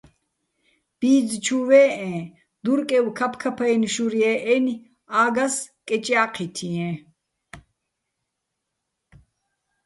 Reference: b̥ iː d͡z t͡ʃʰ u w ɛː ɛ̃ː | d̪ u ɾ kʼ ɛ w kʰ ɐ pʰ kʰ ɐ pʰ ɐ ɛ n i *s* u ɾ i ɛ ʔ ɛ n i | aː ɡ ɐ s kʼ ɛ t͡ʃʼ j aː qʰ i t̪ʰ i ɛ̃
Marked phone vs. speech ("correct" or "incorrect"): incorrect